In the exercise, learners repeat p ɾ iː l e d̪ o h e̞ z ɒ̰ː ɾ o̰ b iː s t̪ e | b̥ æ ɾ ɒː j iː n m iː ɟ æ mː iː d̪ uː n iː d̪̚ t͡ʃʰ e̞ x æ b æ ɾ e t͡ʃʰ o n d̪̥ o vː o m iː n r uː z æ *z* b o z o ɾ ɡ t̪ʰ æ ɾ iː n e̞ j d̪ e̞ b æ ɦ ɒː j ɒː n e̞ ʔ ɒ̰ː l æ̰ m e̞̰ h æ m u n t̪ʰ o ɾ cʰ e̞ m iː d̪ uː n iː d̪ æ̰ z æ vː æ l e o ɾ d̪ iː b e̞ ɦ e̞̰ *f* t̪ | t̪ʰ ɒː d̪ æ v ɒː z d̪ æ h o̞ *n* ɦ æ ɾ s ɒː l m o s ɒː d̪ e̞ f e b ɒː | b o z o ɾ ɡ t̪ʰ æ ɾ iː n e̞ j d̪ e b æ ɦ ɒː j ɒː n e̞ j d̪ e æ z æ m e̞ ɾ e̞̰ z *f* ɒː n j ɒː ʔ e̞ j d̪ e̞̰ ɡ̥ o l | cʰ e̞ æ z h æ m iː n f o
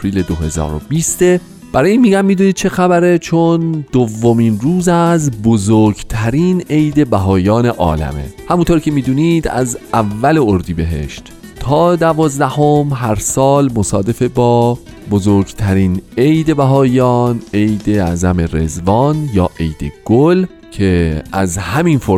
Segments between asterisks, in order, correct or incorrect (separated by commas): correct, incorrect, incorrect, incorrect